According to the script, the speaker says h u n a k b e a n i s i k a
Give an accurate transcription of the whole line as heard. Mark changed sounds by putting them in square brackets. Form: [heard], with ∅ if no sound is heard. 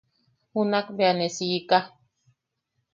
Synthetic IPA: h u n a k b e a n [e] s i k a